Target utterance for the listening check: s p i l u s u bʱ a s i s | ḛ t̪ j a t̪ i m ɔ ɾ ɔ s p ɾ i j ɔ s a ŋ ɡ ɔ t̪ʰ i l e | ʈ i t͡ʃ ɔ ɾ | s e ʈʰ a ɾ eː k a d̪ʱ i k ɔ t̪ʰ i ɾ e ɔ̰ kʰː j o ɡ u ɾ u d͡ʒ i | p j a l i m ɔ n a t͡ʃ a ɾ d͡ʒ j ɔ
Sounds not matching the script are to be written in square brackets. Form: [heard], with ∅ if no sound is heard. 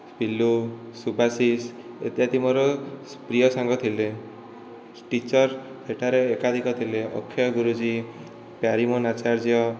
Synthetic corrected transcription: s p i l u s u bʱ a s i s | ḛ t̪ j a t̪ i m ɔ ɾ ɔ s p ɾ i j ɔ s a ŋ ɡ ɔ t̪ʰ i l e | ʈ i t͡ʃ ɔ ɾ | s e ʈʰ a ɾ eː k a d̪ʱ i k ɔ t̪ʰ i [l] e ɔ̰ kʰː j [ɔ] ɡ u ɾ u d͡ʒ i | p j a [ɾ] i m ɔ n a t͡ʃ a ɾ d͡ʒ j ɔ